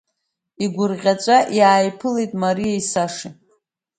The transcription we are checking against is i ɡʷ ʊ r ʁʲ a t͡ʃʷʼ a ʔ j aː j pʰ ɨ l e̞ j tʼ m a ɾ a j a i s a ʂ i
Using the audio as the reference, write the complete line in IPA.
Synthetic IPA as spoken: i ɡʷ ʊ r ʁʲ a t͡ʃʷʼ a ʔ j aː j pʰ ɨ l e̞ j tʼ m a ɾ i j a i s a ʂ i